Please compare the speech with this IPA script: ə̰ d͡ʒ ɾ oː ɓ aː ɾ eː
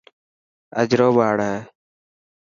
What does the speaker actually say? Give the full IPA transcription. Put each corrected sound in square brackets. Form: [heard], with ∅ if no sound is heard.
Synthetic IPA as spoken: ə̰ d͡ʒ ɾ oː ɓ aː [ɽ] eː